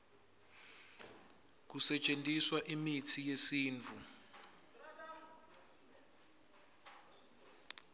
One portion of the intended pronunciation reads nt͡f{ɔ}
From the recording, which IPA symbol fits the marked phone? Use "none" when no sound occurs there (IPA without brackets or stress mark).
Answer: u